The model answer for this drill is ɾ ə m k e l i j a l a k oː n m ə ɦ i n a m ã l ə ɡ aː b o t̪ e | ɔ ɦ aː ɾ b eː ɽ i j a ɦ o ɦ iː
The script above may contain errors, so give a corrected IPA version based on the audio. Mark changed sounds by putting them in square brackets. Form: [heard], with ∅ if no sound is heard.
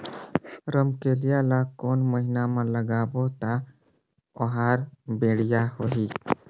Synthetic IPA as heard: ɾ ə m k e l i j a l a k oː n m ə ɦ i n a m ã l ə ɡ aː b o t̪ [a] | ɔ ɦ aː ɾ b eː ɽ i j a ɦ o ɦ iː